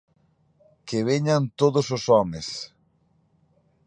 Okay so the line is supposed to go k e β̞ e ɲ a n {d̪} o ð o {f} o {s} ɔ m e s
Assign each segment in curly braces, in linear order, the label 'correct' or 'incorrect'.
incorrect: t̪, incorrect: s, correct

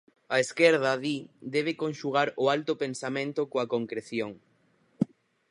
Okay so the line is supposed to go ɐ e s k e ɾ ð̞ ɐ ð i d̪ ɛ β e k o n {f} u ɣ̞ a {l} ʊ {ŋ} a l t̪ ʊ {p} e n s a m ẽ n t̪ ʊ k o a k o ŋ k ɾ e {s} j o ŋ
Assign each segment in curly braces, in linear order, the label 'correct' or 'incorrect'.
incorrect: ʃ, incorrect: ɾ, incorrect: none, correct, incorrect: θ

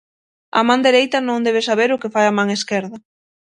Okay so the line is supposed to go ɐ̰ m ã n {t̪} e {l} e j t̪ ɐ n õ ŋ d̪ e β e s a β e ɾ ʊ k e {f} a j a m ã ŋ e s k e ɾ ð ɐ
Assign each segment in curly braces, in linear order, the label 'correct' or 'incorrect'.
incorrect: d̪, incorrect: ɾ, correct

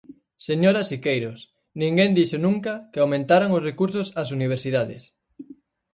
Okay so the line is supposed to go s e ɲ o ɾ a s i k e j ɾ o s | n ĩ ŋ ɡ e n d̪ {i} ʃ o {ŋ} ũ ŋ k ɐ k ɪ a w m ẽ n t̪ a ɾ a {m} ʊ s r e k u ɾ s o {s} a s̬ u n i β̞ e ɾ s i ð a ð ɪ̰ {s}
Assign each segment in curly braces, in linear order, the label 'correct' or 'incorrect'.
correct, incorrect: n, incorrect: ŋ, correct, correct

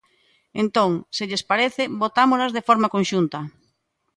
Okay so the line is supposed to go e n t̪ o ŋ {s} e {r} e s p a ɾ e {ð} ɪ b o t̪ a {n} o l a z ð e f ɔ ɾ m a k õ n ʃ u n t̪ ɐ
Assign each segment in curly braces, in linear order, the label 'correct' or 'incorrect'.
correct, incorrect: ʎ, incorrect: θ, incorrect: m

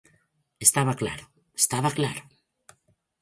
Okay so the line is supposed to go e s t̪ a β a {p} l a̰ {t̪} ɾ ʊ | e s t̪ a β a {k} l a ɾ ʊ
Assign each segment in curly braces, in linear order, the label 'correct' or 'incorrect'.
incorrect: k, incorrect: none, correct

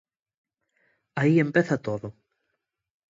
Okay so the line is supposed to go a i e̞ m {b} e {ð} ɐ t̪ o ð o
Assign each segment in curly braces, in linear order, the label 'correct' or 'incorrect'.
incorrect: p, incorrect: θ

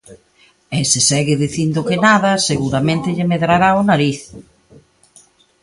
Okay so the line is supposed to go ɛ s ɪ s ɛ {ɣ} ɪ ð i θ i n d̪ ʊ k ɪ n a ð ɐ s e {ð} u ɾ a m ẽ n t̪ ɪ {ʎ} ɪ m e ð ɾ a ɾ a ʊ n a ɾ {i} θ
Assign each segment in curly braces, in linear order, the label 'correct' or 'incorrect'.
correct, incorrect: ɣ, correct, correct

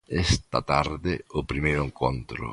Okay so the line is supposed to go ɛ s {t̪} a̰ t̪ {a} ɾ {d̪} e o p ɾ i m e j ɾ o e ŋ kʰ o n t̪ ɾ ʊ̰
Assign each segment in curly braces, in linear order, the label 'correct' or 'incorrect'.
correct, correct, correct

